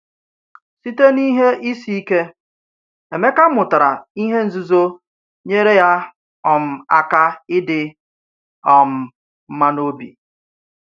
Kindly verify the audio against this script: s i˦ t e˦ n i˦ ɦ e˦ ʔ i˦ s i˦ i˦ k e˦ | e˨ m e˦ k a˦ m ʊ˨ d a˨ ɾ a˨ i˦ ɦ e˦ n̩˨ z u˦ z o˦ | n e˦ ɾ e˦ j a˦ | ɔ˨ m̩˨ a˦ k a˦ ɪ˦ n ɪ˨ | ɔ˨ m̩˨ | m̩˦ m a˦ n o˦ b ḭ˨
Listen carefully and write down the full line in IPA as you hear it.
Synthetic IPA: s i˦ t e˦ n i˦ ɦ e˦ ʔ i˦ s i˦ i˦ k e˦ | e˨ m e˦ k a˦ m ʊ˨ t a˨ ɾ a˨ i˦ ɦ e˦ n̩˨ z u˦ z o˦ | ɲ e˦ ɾ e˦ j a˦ | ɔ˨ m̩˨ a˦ k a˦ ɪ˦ d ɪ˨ | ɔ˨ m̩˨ | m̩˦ m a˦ n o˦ b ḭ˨